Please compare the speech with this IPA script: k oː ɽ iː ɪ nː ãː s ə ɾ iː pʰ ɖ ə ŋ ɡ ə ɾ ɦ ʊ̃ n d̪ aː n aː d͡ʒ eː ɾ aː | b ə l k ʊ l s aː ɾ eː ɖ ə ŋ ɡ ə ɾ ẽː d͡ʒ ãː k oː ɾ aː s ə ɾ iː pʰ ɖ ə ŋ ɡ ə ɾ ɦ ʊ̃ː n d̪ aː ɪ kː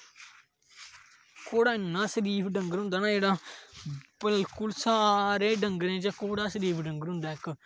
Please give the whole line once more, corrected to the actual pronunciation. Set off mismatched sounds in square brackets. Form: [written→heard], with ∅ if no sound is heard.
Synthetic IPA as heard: k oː ɽ [iː→aː] ɪ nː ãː s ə ɾ iː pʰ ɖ ə ŋ ɡ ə ɾ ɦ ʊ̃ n d̪ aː n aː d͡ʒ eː [ɾ→ɽ] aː | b ə l k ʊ l s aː ɾ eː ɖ ə ŋ ɡ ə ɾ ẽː d͡ʒ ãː k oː [ɾ→ɽ] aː s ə ɾ iː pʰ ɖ ə ŋ ɡ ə ɾ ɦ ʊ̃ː n d̪ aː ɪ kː